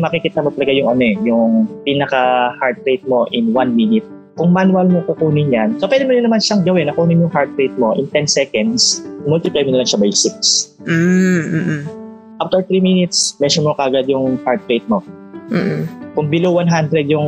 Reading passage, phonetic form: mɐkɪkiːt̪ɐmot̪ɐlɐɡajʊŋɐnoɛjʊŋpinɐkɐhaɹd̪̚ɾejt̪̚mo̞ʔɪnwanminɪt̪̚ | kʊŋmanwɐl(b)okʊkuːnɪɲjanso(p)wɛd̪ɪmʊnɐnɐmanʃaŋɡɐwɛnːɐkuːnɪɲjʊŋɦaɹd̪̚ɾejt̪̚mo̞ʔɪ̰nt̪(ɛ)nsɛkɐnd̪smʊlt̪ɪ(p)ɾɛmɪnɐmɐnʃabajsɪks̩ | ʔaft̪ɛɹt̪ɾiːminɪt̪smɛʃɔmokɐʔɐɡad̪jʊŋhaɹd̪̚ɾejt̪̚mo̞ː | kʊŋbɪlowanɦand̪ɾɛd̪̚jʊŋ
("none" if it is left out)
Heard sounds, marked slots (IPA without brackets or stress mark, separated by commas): m, p, ɛ, p